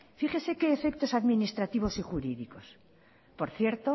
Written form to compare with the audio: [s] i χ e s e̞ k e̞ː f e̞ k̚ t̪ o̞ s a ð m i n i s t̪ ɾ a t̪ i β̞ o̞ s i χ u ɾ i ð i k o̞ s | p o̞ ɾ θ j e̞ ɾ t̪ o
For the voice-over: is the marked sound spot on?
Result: no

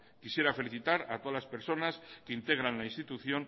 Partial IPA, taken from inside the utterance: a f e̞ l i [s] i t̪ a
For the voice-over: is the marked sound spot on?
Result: no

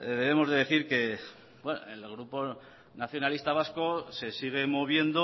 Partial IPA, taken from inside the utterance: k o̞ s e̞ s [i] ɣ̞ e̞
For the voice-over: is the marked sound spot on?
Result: yes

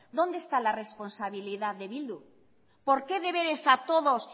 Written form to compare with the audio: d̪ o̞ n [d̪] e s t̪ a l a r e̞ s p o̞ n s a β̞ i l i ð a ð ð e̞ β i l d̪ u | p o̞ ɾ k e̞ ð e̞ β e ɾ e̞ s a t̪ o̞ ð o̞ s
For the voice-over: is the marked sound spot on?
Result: yes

